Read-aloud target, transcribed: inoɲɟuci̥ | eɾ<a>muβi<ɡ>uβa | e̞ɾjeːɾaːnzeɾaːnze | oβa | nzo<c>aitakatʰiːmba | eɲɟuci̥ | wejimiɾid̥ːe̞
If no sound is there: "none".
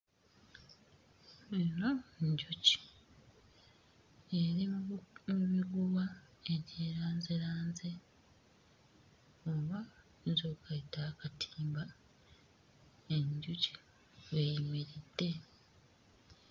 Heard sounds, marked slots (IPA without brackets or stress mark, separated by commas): i, ɡ, k